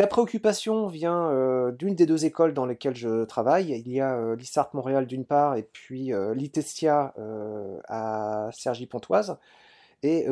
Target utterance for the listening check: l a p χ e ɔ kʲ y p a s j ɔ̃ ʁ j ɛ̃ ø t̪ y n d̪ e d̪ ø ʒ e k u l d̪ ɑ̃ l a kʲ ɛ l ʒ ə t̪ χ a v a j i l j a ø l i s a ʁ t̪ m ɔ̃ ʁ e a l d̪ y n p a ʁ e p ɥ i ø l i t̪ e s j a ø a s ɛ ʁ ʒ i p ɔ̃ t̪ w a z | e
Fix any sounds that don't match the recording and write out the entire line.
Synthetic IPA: l a p χ e ɔ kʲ y p a s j ɔ̃ v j ɛ̃ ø d̪ y n d̪ e d̪ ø z e k ɔ l d̪ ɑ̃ l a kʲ ɛ l ʒ ə t̪ χ a v a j i l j a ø l i s a ʁ t̪ m ɔ̃ ʁ e a l d̪ y n p a ʁ e p ɥ i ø l i t̪ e s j a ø a s ɛ ʁ ʒ i p ɔ̃ t̪ w a z | e